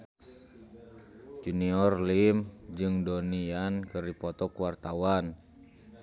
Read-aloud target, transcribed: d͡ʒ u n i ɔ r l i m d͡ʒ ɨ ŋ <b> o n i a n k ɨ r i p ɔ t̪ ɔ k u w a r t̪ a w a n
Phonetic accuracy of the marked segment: incorrect: d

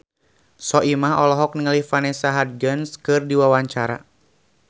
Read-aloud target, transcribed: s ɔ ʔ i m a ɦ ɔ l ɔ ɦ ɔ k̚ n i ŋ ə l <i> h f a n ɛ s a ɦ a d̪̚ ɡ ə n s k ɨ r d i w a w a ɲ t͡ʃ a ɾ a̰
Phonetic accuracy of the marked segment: correct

